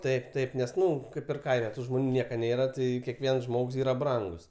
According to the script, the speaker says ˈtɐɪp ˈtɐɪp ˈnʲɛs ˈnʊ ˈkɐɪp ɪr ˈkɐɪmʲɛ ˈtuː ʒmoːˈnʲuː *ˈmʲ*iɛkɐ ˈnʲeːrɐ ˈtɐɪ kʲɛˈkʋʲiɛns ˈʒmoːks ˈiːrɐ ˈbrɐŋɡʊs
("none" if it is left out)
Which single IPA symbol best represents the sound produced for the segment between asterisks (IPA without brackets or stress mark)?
nʲ